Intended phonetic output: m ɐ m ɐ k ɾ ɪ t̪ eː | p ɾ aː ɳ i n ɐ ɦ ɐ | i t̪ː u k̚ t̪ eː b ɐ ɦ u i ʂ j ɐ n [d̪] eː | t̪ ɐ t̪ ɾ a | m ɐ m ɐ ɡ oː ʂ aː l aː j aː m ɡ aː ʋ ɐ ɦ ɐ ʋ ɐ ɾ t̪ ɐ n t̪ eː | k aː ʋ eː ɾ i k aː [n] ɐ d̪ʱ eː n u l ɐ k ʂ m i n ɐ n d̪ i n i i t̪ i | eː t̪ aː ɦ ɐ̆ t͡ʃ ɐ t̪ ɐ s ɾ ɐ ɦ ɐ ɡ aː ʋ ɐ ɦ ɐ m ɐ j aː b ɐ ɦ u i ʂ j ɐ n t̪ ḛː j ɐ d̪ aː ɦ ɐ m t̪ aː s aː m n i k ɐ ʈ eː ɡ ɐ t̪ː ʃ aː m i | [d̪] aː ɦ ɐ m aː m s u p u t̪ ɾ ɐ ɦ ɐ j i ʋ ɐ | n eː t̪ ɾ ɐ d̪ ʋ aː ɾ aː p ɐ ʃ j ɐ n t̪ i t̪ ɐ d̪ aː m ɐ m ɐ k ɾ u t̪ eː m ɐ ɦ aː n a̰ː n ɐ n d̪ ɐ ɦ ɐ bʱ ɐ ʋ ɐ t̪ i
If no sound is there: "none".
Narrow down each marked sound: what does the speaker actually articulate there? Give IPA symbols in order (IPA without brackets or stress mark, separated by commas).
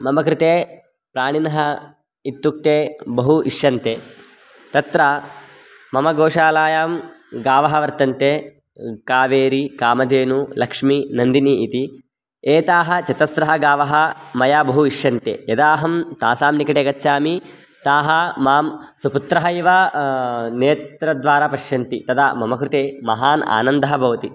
t̪, m, t̪